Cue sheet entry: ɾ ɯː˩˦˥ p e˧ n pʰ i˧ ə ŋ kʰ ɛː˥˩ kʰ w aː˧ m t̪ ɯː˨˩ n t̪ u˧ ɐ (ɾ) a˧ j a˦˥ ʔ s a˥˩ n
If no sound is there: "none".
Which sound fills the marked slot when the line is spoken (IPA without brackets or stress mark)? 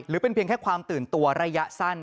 ɾ